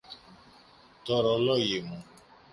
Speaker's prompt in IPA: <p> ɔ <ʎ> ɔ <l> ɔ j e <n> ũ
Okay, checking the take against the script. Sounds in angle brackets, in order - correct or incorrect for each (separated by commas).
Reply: incorrect, incorrect, correct, incorrect